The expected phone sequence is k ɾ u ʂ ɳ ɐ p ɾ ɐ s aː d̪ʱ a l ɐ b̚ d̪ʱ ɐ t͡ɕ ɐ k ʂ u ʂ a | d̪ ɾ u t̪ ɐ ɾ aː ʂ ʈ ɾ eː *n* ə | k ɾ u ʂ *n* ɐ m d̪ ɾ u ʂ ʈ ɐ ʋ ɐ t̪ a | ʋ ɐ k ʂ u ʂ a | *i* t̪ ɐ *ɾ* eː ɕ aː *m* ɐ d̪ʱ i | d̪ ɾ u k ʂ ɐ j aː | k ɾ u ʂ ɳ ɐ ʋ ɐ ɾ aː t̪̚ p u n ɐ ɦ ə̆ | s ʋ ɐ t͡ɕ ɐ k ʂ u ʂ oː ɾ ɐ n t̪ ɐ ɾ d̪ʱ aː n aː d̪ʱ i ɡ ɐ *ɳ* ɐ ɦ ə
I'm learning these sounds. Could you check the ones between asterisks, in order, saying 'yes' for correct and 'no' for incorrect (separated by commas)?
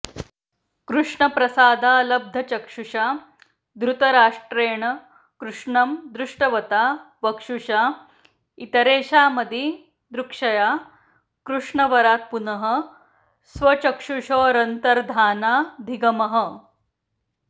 no, no, yes, yes, yes, no